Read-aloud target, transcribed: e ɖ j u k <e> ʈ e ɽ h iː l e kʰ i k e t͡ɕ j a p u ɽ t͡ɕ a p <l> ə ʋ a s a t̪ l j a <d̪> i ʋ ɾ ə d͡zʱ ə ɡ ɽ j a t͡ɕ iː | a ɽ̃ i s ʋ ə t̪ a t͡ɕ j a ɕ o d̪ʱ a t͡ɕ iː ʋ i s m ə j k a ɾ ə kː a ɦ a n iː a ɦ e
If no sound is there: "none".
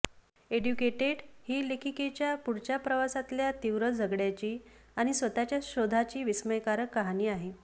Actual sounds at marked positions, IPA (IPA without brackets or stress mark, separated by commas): e, ɾ, t̪